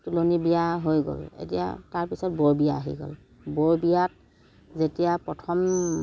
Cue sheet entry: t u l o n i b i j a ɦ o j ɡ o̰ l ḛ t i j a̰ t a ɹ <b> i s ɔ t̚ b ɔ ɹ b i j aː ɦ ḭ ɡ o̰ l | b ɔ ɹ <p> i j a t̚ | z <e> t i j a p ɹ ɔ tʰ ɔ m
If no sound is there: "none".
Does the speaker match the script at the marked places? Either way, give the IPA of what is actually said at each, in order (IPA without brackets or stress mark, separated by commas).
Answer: p, b, e